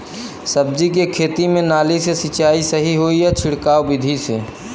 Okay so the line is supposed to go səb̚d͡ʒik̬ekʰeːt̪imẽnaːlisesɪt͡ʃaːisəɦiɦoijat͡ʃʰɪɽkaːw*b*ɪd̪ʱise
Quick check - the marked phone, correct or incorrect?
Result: correct